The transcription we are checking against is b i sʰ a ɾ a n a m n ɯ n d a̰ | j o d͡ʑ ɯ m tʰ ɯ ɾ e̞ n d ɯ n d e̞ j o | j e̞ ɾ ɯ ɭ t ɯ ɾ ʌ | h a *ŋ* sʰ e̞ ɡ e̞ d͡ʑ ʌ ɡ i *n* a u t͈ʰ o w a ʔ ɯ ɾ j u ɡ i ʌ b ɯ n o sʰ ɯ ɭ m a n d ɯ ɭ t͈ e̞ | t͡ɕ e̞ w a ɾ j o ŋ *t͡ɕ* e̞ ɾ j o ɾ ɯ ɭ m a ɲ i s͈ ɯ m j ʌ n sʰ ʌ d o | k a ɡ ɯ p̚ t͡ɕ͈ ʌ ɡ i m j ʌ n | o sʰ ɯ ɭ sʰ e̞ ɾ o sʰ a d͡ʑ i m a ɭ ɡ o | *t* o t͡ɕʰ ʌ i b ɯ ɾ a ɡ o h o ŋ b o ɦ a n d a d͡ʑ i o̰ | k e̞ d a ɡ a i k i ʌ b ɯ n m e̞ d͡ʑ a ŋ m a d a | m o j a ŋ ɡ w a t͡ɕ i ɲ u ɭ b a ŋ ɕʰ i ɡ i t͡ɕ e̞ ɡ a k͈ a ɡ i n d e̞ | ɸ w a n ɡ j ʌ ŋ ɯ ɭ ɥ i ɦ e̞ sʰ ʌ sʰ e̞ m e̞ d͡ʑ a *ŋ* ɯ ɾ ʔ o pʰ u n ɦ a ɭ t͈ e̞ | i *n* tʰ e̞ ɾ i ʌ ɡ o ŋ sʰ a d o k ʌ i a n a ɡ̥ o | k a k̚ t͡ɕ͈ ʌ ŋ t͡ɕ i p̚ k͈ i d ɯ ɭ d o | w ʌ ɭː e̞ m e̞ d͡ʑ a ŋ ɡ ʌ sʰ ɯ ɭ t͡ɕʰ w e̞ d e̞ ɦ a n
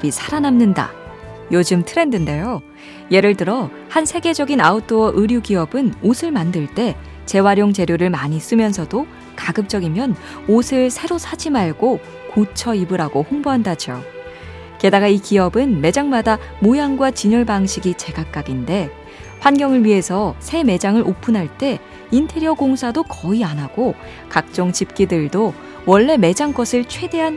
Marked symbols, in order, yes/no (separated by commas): no, yes, yes, no, yes, yes